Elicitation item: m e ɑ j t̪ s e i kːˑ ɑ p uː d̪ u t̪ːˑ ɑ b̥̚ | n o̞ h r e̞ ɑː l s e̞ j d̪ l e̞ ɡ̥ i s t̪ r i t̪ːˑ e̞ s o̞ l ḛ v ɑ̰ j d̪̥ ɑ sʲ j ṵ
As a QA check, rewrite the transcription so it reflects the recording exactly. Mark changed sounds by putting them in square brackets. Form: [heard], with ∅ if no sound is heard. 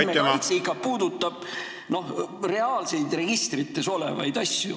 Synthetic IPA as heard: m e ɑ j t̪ s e i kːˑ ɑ p uː d̪ u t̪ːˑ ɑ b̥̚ | n o̞ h r e̞ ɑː l s e̞ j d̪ [r] e̞ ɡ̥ i s t̪ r i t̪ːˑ e̞ s o̞ l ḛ v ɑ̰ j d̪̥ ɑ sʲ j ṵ